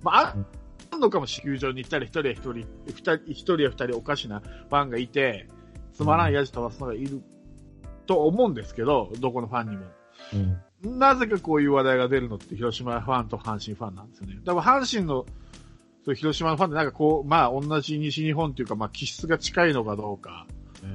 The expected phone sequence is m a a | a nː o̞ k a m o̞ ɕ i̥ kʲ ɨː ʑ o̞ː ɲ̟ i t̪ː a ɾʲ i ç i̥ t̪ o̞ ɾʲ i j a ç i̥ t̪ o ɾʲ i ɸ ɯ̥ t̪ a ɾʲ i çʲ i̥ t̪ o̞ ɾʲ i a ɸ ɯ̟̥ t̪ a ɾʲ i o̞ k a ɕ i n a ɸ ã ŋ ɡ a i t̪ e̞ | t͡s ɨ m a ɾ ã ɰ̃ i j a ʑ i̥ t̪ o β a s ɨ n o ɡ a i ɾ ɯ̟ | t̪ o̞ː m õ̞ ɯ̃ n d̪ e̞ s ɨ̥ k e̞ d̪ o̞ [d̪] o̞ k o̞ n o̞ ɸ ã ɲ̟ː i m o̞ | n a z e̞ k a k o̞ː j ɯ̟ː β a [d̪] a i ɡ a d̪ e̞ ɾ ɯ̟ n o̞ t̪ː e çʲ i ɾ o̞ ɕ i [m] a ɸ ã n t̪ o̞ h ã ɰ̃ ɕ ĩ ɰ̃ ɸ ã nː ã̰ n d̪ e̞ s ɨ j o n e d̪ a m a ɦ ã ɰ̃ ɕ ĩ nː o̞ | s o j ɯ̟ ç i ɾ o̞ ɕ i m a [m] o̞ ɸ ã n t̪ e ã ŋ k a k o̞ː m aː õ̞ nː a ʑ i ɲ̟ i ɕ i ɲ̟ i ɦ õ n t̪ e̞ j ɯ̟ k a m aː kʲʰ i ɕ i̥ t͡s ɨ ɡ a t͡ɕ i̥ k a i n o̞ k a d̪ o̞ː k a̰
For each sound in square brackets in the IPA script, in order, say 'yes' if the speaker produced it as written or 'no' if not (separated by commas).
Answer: yes, yes, yes, no